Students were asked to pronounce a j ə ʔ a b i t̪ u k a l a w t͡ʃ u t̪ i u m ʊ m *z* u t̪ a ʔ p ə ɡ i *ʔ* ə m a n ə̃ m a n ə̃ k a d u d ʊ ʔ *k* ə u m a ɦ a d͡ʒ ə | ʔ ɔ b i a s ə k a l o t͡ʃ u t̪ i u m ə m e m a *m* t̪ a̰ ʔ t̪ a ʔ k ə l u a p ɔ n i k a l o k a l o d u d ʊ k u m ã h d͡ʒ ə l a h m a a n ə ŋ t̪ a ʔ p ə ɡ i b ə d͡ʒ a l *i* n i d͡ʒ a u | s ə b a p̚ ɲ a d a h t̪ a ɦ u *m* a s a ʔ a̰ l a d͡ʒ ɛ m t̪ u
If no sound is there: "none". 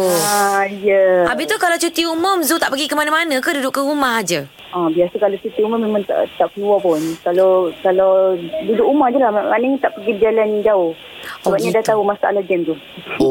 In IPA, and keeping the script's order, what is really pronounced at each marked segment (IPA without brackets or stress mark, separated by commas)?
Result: z, k, k, ŋ, a, m